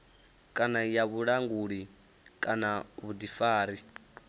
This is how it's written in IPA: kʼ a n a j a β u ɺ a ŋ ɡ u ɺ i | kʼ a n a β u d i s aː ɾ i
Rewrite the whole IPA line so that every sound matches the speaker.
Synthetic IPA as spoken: kʼ a n a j a β u ɺ a ŋ ɡ u ɺ i | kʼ a n a β u d i f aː ɾ i